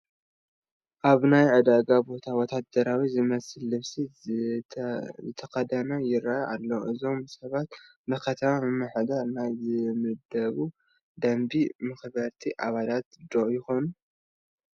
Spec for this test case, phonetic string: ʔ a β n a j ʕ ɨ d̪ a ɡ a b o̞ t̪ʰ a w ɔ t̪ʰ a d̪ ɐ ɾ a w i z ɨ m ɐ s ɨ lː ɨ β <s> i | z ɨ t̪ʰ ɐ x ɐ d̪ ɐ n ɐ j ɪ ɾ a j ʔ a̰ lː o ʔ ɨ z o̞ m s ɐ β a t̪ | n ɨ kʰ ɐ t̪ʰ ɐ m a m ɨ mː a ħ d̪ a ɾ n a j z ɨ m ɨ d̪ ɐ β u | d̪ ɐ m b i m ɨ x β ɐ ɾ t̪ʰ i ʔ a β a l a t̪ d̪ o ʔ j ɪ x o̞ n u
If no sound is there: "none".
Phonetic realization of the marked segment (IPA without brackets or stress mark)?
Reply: s